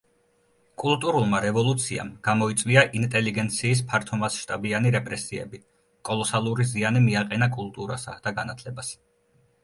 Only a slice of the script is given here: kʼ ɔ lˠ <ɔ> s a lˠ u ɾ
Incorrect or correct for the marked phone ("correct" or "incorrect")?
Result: correct